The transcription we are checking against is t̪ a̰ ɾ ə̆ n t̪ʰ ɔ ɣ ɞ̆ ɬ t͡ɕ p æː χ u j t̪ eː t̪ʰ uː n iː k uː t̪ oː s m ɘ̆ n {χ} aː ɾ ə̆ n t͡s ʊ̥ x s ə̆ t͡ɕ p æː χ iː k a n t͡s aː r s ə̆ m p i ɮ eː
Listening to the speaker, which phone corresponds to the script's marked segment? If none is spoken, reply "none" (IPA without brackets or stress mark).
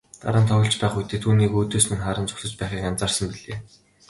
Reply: χ